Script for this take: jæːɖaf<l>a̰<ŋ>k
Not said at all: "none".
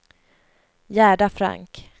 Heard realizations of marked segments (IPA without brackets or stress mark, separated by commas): ɾ, ŋ